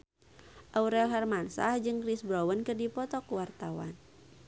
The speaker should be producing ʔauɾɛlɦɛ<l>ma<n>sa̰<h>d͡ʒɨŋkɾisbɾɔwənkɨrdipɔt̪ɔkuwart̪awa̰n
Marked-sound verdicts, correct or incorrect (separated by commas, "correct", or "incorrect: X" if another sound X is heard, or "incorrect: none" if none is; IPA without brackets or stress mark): incorrect: r, correct, correct